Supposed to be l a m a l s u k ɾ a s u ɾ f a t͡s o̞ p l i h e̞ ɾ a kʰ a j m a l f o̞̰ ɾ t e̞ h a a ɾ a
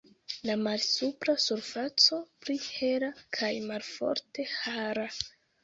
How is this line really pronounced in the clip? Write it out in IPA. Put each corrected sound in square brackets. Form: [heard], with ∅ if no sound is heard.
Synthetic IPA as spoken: l a m a l s u [p] ɾ a s u ɾ f a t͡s o̞ p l i h e̞ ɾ a kʰ a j m a l f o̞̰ ɾ t e̞ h a a ɾ a

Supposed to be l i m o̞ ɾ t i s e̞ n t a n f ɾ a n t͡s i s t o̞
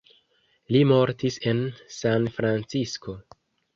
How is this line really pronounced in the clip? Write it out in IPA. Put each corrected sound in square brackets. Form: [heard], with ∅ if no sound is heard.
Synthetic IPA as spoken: l i m o̞ ɾ t i s e̞ n [s] a n f ɾ a n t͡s i s [k] o̞

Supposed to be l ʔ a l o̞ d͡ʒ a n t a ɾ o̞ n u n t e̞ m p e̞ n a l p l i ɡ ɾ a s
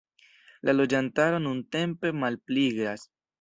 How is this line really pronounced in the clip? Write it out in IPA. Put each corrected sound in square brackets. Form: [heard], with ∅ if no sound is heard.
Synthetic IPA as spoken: l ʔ a l o̞ d͡ʒ a n t a ɾ o̞ n u n t e̞ m p e̞ [m] a l p l i ɡ ɾ a s

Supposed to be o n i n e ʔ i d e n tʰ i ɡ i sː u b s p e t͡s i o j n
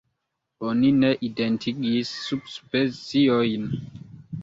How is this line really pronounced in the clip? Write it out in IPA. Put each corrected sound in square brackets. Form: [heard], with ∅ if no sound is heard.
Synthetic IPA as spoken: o n i n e ʔ i d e n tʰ i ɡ i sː u b s p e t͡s i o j n

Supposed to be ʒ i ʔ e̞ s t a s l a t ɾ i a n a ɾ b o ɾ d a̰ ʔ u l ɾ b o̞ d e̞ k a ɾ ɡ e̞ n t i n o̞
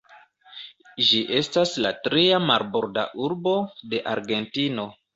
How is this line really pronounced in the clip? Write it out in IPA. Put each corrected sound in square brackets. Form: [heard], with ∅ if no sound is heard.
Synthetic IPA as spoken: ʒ i ʔ e̞ s t a s l a t ɾ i a [m] a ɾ b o ɾ d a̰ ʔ u [∅] ɾ b o̞ d e̞ [ʔ] a ɾ ɡ e̞ n t i n o̞

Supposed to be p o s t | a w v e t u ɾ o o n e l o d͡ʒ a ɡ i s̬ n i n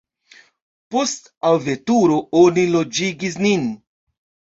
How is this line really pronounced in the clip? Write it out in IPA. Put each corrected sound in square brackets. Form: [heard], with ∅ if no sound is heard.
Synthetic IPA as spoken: p o s t | a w v e t u ɾ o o n [i] l o d͡ʒ [i] ɡ i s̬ n i n

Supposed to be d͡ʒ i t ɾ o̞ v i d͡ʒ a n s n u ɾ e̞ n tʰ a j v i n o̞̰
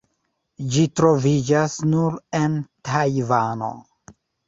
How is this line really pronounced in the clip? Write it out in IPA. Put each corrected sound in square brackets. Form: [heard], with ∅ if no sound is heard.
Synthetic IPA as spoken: d͡ʒ i t ɾ o̞ v i d͡ʒ a [∅] s n u ɾ e̞ n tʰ a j v [a] n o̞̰

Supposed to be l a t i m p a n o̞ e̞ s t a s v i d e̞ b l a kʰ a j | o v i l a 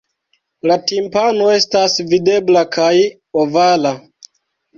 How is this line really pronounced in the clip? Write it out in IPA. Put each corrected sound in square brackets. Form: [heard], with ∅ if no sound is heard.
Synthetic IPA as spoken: l a t i m p a n o̞ e̞ s t a s v i d e̞ b l a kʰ a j | o v [a] l a

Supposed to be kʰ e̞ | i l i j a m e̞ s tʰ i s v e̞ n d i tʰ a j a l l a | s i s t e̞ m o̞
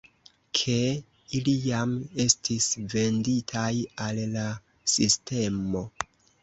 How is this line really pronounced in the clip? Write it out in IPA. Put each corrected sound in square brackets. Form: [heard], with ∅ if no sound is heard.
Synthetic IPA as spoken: kʰ e̞ | i l i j a m e̞ s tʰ i s v e̞ n d i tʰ a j a l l a | s i s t e̞ m o̞

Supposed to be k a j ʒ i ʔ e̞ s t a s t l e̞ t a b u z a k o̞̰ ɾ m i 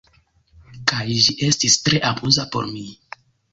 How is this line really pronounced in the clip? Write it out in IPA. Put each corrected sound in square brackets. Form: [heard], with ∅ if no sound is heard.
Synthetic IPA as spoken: k a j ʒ i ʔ e̞ s t [i] s t [ɾ] e̞ [ʔ] a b u z a [p] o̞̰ ɾ m i

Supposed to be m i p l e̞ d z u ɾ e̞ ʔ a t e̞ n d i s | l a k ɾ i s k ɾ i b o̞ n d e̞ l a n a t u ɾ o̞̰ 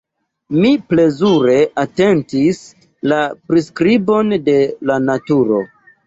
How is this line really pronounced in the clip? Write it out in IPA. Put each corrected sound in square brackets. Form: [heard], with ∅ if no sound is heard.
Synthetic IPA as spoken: m i p l e̞ [∅] z u ɾ e̞ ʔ a t e̞ n [t] i s | l a [p] ɾ i s k ɾ i b o̞ n d e̞ l a n a t u ɾ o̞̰

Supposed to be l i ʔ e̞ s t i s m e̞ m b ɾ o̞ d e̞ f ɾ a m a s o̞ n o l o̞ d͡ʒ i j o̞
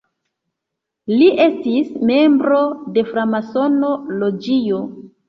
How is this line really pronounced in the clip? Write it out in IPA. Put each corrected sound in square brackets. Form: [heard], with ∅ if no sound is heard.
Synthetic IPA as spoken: l i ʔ e̞ s t i s m e̞ m b ɾ o̞ d e̞ f ɾ a m a s o̞ n o l o̞ d͡ʒ i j o̞

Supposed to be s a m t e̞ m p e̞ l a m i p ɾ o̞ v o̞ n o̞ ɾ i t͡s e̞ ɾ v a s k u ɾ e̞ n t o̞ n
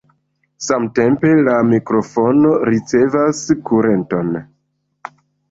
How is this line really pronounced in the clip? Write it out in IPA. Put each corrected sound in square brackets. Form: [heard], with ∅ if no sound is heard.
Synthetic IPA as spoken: s a m t e̞ m p e̞ l a m i [k] ɾ o̞ [f] o̞ n o̞ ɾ i t͡s e̞ [∅] v a s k u ɾ e̞ n t o̞ n

